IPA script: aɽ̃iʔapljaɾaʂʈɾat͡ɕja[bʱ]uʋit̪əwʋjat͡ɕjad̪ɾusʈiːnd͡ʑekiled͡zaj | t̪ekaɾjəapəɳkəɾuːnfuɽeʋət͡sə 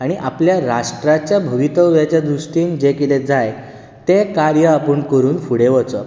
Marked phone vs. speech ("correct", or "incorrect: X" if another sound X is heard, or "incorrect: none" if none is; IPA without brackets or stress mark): correct